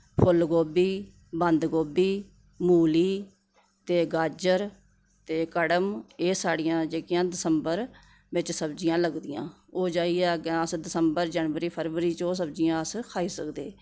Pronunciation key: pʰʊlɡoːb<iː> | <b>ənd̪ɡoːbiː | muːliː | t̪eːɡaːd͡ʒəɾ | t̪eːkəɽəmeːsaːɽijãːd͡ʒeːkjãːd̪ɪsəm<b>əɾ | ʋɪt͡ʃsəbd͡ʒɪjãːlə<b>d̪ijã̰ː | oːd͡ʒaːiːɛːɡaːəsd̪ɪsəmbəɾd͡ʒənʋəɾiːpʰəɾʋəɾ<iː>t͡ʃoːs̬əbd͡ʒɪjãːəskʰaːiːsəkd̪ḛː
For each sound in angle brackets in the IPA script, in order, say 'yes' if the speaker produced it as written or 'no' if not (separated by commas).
yes, yes, yes, no, yes